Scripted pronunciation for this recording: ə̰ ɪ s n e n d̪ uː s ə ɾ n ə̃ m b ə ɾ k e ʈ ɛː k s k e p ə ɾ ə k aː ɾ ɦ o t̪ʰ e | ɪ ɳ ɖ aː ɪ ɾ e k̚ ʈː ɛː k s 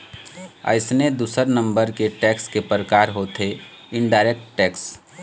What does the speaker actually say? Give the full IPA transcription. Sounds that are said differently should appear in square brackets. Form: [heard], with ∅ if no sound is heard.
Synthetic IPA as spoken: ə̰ ɪ s n e [∅] d̪ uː s ə ɾ n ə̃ m b ə ɾ k e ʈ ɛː k s k e p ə ɾ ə k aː ɾ ɦ o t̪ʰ e | ɪ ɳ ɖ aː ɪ ɾ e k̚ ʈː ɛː k s